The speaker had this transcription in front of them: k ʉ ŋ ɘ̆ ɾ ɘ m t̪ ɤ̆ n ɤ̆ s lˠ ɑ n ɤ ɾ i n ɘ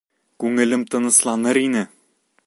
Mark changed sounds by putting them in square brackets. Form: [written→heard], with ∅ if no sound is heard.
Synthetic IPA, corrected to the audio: k ʉ ŋ ɘ̆ [ɾ→l] ɘ m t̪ ɤ̆ n ɤ̆ s lˠ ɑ n ɤ ɾ i n ɘ